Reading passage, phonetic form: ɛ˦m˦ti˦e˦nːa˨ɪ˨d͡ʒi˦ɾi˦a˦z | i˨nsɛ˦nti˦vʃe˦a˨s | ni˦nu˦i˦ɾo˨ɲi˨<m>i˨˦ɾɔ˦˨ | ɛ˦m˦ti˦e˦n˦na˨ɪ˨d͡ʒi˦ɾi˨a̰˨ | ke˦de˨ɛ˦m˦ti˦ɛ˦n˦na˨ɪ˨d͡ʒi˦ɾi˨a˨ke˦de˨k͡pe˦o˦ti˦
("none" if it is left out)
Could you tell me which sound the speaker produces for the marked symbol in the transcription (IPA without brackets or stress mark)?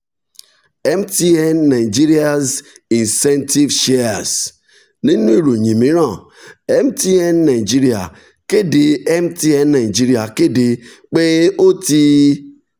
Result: m